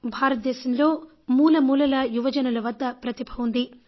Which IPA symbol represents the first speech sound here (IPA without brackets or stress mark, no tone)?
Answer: bʱ